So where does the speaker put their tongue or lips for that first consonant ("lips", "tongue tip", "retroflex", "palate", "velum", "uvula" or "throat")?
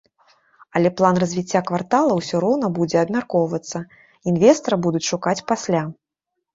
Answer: tongue tip